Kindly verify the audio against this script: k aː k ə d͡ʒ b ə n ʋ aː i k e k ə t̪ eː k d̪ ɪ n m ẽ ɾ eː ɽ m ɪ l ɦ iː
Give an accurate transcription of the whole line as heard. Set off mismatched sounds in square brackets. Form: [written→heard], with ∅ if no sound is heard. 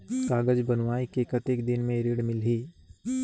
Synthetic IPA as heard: k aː [k→ɡ] ə d͡ʒ b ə n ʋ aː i k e k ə t̪ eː k d̪ ɪ n m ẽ ɾ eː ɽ m ɪ l ɦ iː

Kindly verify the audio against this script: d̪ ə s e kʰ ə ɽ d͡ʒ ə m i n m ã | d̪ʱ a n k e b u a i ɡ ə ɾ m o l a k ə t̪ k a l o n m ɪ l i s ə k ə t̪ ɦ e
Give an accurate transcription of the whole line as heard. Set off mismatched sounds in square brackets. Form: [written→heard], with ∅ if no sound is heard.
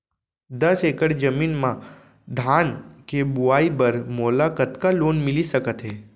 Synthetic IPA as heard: d̪ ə s e [kʰ→k] ə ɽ d͡ʒ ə m i n m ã | d̪ʱ a n k e b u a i [ɡ→b] ə ɾ m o l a k ə t̪ k a l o n m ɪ l i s ə k ə t̪ ɦ e

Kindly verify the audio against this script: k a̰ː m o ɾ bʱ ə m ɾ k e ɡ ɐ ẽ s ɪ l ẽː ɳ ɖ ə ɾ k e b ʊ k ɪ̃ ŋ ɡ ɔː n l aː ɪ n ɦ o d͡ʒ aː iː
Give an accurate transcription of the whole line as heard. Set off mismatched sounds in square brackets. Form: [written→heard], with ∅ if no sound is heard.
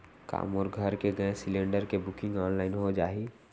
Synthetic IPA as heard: k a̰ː m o ɾ [bʱ→ɡʱ] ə [m→∅] ɾ k e ɡ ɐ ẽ s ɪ l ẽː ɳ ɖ ə ɾ k e b ʊ k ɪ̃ ŋ ɡ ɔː n l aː ɪ n ɦ o d͡ʒ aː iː

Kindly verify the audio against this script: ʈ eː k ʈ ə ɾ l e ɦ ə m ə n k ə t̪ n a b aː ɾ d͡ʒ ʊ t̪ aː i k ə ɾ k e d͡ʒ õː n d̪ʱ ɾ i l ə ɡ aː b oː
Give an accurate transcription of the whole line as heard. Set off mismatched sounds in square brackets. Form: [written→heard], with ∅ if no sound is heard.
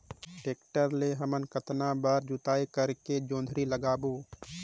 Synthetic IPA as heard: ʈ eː k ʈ ə ɾ l e ɦ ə m ə n k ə t̪ n a b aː ɾ d͡ʒ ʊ t̪ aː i k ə ɾ k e d͡ʒ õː n d̪ʱ ɾ i l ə ɡ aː b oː

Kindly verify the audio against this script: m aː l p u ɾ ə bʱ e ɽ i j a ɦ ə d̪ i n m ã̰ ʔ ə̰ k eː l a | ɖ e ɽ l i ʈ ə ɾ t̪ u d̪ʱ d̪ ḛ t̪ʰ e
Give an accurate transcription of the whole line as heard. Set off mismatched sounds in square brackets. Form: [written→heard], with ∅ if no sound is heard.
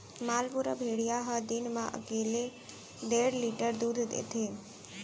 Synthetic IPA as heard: m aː l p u ɾ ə bʱ e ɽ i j a ɦ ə d̪ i n m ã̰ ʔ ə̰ k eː l [a→e] | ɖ e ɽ l i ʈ ə ɾ [t̪→d̪] u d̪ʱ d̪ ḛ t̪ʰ e

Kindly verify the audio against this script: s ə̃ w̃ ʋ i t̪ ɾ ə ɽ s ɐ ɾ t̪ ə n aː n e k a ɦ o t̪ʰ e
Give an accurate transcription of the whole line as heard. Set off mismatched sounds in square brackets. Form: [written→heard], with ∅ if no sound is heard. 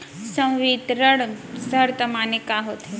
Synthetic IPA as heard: s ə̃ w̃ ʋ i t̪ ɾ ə ɽ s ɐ ɾ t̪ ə [n→m] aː n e k a ɦ o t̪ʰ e

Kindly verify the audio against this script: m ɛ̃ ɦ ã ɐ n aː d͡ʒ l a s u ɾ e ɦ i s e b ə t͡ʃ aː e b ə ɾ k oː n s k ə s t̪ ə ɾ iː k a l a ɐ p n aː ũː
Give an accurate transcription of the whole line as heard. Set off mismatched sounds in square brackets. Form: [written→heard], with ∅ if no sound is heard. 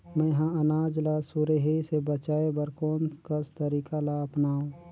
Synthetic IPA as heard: m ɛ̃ ɦ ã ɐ n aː d͡ʒ l a s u ɾ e ɦ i s e b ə t͡ʃ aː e b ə ɾ k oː n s k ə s t̪ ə ɾ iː k a l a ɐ p n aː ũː

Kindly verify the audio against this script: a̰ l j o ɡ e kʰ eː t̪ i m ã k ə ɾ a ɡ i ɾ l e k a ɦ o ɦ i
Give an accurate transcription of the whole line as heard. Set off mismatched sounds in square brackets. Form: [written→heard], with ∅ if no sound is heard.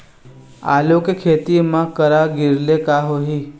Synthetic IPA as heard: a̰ l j o [ɡ→k] e kʰ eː t̪ i m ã k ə ɾ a ɡ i ɾ l e k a ɦ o ɦ i

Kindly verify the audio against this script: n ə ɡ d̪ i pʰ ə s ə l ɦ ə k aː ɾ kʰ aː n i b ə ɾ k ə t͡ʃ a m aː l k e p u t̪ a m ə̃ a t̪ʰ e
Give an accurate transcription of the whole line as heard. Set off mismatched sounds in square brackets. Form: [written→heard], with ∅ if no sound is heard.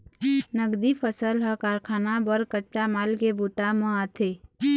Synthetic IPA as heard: n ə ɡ d̪ i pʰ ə s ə l ɦ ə k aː ɾ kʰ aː n [i→a] b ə ɾ k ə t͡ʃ a m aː l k e [p→b] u t̪ a m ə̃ a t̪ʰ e

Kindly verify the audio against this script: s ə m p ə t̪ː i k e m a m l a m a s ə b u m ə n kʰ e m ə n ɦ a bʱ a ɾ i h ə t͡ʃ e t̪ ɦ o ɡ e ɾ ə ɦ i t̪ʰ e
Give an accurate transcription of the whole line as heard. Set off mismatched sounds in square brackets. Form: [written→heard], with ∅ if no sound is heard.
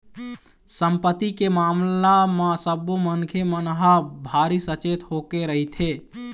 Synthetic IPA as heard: s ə m p ə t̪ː i k e m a m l a m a s ə b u m ə n kʰ e m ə n ɦ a bʱ a ɾ i [h→s] ə t͡ʃ e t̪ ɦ o [ɡ→k] e ɾ ə ɦ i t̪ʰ e

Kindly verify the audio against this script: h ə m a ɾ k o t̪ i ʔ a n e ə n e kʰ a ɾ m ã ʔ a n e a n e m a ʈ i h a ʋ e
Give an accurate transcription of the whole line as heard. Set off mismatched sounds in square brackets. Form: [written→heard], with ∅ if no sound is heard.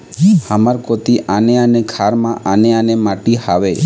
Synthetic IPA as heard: h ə m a ɾ k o t̪ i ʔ a n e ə n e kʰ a ɾ m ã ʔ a n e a n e m a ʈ i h a ʋ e

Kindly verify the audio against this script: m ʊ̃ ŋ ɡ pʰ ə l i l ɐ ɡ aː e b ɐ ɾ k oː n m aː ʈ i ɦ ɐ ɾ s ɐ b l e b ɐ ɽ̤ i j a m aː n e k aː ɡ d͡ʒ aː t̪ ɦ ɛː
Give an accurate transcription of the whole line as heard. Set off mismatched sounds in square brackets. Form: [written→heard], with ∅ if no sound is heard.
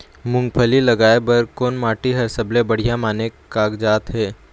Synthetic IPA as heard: m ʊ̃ ŋ ɡ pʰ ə l i l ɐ ɡ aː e b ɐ ɾ k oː n m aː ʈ i ɦ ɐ ɾ s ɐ b l e b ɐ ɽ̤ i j a m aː n e k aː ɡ d͡ʒ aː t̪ ɦ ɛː

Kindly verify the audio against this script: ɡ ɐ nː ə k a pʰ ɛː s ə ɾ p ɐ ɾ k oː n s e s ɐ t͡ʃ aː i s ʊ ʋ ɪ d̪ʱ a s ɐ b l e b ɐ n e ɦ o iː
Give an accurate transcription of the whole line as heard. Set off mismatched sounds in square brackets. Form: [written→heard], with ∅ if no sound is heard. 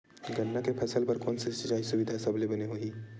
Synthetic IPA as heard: ɡ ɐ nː [ə→a] k [a→e] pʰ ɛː s ə [ɾ→l] p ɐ ɾ k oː n s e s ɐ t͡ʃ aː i s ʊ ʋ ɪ d̪ʱ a s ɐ b l e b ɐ n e ɦ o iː

